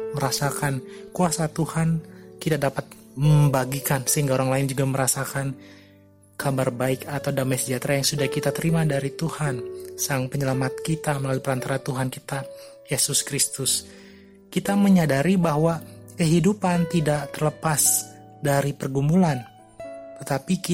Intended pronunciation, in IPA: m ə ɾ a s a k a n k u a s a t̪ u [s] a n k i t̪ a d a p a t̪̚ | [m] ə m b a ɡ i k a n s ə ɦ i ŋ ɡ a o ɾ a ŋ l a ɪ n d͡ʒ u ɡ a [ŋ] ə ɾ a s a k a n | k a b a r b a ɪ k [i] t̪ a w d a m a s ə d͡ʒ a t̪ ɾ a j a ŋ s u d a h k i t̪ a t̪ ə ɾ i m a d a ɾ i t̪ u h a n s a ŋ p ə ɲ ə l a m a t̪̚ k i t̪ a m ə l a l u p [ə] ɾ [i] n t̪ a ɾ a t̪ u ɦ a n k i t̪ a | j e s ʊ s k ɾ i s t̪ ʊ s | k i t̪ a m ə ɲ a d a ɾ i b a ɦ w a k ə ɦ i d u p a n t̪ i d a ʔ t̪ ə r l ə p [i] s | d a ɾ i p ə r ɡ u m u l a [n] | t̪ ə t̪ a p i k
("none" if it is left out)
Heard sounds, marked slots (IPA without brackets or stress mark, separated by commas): h, m, m, a, ə, a, a, n